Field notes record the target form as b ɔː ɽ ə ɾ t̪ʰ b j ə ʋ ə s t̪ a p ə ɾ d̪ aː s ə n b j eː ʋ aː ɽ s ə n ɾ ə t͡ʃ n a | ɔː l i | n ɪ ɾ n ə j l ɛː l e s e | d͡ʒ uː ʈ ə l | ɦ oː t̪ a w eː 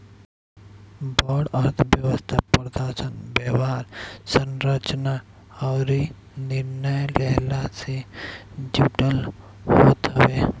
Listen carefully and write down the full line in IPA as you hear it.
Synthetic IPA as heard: b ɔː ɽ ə ɾ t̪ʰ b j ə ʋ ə s t̪ʰ a p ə ɾ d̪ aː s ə n b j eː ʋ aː ɾ s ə n ɾ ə t͡ʃ n a | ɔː ɾ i | n ɪ ɾ n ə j l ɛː l a s e | d͡ʒ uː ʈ ə l | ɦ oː t̪ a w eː